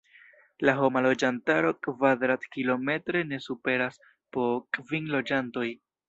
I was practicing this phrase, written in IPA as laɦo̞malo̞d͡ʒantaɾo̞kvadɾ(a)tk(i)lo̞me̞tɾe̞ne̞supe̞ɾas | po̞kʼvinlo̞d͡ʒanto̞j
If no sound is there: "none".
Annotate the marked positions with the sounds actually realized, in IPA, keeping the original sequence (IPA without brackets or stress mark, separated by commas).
a, i